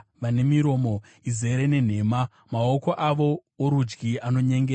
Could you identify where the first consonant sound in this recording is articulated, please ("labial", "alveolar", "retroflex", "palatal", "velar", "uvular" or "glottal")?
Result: labial